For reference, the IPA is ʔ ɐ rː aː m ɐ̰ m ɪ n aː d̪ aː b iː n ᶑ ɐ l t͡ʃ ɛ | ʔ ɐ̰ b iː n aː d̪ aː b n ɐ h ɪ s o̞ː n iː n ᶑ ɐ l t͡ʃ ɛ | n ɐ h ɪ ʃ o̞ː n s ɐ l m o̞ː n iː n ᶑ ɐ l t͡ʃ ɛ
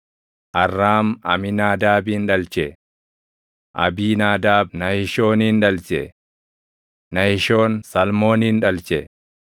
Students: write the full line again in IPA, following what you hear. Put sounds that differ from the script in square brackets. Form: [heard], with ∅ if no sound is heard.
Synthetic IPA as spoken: ʔ ɐ rː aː m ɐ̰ m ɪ n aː d̪ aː b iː n ᶑ ɐ l t͡ʃ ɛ | ʔ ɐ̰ b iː n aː d̪ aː b n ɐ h ɪ [ʃ] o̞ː n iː n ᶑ ɐ l t͡ʃ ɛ | n ɐ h ɪ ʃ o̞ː n s ɐ l m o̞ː n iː n ᶑ ɐ l t͡ʃ ɛ